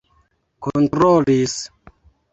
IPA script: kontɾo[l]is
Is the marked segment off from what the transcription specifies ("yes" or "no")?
no